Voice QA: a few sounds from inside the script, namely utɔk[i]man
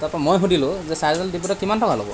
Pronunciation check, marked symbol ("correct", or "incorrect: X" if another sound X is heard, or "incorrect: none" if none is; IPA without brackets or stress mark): correct